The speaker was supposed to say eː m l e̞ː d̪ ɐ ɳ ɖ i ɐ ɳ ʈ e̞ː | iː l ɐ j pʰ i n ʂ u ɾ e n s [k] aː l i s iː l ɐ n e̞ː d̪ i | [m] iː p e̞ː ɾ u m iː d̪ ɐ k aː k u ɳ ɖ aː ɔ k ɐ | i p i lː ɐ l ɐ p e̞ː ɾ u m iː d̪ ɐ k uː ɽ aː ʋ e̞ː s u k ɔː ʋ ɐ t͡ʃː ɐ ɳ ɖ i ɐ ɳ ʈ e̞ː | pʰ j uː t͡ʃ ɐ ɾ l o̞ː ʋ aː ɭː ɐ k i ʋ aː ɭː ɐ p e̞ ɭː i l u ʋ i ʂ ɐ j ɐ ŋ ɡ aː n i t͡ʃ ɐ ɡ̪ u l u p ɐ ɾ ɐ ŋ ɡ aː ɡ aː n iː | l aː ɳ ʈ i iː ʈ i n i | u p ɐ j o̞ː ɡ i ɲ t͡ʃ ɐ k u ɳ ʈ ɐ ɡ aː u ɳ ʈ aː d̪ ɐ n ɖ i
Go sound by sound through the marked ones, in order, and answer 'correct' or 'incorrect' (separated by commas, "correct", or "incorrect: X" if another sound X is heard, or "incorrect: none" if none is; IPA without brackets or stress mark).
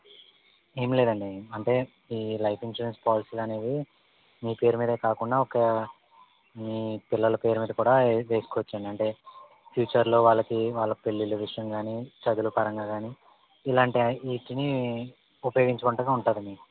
incorrect: p, correct